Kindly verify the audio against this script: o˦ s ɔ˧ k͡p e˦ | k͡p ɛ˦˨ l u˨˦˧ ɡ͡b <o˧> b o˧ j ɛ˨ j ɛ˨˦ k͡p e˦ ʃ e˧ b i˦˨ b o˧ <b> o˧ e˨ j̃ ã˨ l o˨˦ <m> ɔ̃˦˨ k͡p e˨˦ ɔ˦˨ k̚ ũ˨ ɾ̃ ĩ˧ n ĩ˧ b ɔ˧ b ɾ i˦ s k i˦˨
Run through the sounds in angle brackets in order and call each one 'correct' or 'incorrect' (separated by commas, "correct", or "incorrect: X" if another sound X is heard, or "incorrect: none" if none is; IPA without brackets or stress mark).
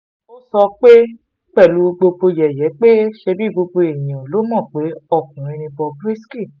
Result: correct, correct, correct